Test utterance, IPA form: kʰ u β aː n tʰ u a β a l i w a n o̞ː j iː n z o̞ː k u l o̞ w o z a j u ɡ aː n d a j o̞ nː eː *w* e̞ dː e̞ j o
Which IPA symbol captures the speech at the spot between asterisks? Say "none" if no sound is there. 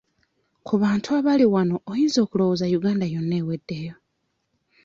w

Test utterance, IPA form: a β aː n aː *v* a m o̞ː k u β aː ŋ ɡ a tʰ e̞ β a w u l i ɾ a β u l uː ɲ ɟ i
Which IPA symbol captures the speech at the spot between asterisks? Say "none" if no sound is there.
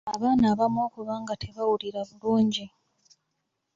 β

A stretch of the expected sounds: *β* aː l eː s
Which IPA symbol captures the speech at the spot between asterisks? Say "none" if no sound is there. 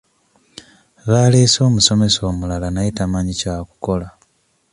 β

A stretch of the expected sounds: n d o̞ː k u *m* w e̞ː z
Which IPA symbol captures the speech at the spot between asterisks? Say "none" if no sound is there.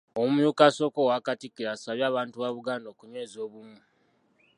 ɲ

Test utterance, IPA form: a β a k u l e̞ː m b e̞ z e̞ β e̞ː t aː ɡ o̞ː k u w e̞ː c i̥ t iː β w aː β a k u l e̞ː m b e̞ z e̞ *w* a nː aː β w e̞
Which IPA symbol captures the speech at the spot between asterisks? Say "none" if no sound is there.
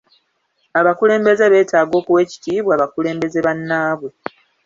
β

